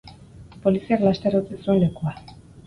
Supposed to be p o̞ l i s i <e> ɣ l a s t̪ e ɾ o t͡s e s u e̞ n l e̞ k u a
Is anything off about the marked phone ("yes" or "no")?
yes